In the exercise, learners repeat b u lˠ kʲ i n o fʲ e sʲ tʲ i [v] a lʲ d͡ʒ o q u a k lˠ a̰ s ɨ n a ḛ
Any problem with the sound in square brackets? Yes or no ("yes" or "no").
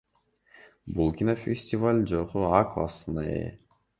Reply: no